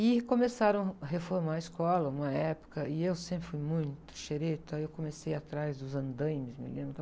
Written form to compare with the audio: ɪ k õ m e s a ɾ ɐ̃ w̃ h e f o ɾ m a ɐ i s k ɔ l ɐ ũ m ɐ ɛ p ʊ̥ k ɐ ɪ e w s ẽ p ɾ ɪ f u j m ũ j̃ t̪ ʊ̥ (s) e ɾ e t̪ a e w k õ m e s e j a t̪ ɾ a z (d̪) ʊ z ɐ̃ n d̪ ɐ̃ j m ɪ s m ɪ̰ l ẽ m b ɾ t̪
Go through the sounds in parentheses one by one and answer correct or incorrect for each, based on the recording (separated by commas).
incorrect, correct